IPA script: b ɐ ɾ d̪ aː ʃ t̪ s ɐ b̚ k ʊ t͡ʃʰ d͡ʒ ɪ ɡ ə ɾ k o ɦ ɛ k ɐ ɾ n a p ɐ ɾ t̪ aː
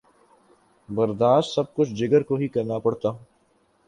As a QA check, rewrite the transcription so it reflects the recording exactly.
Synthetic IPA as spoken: b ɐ ɾ d̪ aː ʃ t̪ s ɐ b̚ k ʊ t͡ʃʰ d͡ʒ ɪ ɡ ə ɾ k o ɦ i k ɐ ɾ n a p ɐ ɽ t̪ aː